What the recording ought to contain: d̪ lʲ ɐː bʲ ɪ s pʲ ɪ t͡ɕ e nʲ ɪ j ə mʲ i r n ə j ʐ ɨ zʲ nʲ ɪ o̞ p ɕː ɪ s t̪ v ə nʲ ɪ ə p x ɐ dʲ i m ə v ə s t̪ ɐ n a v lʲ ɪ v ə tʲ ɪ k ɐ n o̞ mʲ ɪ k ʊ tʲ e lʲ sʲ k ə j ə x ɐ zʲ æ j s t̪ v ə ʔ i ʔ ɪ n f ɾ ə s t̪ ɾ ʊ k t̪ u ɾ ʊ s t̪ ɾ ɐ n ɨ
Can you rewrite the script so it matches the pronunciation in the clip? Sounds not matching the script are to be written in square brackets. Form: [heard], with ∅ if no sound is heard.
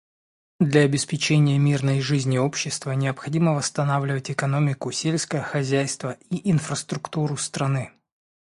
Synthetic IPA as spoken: d̪ lʲ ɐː bʲ ɪ s pʲ ɪ t͡ɕ e nʲ ɪ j ə mʲ i r n ə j ʐ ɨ zʲ nʲ ɪ o̞ p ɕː ɪ s t̪ v ə nʲ ɪ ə p x ɐ dʲ i m ə v ə s t̪ ɐ n a v lʲ ɪ v ə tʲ ɪ k ɐ n o̞ mʲ ɪ k ʊ [sʲ] e lʲ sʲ k ə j ə x ɐ zʲ æ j s t̪ v ə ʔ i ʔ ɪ n f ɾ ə s t̪ ɾ ʊ k t̪ u ɾ ʊ s t̪ ɾ ɐ n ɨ